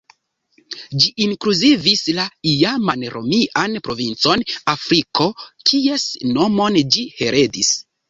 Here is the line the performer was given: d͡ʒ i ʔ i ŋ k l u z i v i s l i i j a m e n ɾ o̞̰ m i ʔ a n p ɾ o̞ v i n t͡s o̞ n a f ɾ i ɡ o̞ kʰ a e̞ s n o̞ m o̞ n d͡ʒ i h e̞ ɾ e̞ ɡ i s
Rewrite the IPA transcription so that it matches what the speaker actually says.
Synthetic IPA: d͡ʒ i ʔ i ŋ k l u z i v i s l a i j a m a n ɾ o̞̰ m i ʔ a n p ɾ o̞ v i n t͡s o̞ n a f ɾ i k o̞ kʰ i e̞ s n o̞ m o̞ n d͡ʒ i h e̞ ɾ e̞ d i s